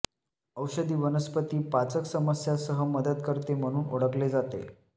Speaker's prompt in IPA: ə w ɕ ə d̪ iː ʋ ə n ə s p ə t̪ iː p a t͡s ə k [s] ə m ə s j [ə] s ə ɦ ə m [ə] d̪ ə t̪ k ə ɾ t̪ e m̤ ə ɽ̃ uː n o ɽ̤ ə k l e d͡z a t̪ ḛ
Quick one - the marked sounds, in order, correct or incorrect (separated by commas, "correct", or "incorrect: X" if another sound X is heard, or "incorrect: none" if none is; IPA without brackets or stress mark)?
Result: correct, incorrect: a, correct